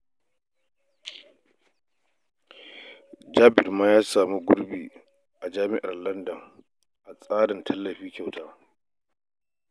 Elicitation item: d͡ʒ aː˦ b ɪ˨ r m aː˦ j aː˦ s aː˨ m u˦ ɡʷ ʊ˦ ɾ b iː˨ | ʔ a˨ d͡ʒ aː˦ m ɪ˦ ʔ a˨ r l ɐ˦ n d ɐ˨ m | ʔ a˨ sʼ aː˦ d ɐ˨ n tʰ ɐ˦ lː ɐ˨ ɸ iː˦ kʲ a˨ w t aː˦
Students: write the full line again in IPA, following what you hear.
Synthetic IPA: d͡ʒ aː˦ b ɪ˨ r m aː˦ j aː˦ s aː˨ m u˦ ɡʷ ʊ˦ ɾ b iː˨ | ʔ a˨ d͡ʒ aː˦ m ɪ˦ ʔ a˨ r l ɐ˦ n d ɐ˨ ŋ | ʔ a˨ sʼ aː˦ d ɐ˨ n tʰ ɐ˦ lː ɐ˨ ɸ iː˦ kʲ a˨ w t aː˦